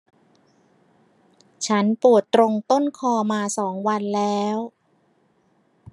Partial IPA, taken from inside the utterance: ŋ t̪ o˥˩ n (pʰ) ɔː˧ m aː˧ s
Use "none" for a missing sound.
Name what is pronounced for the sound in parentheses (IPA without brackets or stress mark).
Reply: kʰ